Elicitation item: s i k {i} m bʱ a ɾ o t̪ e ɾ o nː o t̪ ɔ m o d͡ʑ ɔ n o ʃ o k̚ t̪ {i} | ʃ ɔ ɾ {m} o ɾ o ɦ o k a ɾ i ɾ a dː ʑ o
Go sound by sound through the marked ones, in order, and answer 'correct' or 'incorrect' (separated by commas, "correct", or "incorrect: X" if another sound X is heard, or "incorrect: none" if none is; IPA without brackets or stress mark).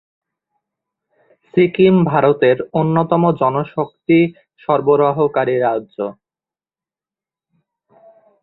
correct, correct, incorrect: b